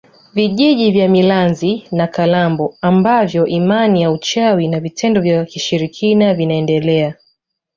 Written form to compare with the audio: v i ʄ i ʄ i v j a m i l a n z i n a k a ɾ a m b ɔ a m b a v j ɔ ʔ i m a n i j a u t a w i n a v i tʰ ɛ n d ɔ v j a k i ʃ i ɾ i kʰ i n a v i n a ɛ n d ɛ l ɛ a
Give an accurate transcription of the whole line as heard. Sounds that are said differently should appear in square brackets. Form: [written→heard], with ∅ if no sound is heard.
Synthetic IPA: v i ʄ i ʄ i v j a m i l a n z i n a k a [ɾ→l] a m b ɔ a m b a v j ɔ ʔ i m a n i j a u [t→t͡ʃ] a w i n a v i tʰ ɛ n d ɔ v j a k i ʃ i ɾ i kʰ i n a v i n a ɛ n d ɛ l ɛ a